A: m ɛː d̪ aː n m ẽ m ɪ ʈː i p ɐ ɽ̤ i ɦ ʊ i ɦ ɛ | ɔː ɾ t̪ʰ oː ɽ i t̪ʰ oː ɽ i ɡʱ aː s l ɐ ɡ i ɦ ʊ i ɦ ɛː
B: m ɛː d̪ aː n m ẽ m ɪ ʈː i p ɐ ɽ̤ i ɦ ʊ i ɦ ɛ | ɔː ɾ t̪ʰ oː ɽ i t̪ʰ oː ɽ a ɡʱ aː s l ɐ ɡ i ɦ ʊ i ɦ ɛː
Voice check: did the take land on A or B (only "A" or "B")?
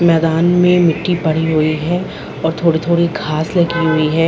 A